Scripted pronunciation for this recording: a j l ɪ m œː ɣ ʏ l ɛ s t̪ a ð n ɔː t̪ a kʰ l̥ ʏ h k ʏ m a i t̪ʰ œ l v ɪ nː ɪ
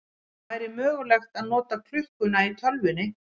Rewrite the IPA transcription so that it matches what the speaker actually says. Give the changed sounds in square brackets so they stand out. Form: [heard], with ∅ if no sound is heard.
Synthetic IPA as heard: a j [ɾ] ɪ m œː ɣ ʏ l ɛ [x] t̪ a ð n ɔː t̪ a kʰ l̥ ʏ h k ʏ [n] a i t̪ʰ œ l v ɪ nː ɪ